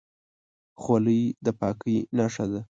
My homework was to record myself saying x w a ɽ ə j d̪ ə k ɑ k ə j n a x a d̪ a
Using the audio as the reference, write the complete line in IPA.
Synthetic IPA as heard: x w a l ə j d̪ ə p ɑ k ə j n a ʂ a d̪ a